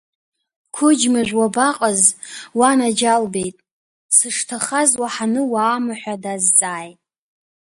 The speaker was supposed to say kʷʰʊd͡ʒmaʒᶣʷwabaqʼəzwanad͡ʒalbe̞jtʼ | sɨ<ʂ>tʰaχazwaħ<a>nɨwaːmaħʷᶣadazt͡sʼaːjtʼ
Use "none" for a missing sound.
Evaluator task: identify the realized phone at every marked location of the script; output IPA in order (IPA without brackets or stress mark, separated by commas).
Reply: ʂ, a